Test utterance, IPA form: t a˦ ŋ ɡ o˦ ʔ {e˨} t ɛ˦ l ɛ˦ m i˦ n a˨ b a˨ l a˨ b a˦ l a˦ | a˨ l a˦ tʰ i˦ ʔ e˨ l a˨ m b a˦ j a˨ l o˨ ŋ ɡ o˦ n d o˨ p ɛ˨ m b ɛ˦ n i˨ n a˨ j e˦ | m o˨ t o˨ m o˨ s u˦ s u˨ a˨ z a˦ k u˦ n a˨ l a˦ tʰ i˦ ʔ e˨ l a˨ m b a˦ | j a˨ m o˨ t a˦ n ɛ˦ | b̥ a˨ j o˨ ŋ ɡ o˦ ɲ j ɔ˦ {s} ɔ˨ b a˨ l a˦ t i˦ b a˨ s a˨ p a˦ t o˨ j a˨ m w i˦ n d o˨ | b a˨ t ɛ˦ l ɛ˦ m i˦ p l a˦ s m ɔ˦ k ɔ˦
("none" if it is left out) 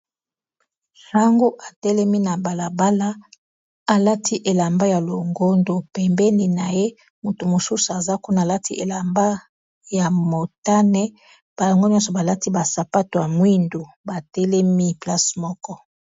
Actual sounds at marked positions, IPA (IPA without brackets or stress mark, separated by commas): a˨, s